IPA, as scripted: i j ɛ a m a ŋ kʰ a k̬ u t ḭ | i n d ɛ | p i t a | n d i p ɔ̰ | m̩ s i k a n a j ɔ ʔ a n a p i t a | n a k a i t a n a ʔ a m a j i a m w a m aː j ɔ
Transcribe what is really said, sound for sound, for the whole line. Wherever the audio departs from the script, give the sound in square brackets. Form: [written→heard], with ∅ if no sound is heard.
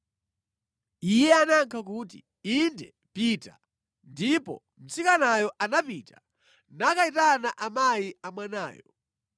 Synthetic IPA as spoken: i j ɛ a [m→n] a ŋ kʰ a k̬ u t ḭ | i n d ɛ | p i t a | n d i p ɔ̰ | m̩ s i k a n a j ɔ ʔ a n a p i t a | n a k a i t a n a ʔ a m a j i a m w a [m→n] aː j ɔ